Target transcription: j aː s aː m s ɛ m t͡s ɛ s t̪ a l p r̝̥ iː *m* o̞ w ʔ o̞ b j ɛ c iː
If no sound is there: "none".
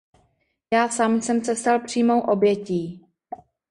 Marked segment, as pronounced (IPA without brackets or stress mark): m